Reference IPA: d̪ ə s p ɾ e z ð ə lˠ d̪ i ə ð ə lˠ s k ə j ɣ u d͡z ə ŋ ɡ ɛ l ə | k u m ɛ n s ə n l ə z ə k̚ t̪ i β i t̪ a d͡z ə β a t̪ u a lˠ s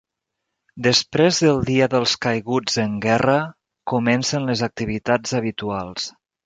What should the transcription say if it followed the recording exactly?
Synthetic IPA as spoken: d̪ ə s p ɾ e z ð ə lˠ d̪ i ə ð ə lˠ s k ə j ɣ u d͡z ə ŋ ɡ ɛ r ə | k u m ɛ n s ə n l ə z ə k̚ t̪ i β i t̪ a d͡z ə β i t̪ u a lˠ s